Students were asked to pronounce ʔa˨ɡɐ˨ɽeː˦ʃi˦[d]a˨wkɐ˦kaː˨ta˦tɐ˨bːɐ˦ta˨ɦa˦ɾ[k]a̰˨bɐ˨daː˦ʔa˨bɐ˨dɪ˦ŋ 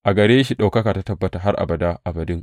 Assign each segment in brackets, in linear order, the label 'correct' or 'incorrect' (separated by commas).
incorrect, incorrect